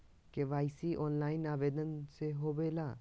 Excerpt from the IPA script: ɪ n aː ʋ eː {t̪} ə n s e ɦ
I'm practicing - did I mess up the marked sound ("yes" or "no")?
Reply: yes